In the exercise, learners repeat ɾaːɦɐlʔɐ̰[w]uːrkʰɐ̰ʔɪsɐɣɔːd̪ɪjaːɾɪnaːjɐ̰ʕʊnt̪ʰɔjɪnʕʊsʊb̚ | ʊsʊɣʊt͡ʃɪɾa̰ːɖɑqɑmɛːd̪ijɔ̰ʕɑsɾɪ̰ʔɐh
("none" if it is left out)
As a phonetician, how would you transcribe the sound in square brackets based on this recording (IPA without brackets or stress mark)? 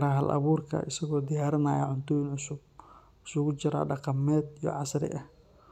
β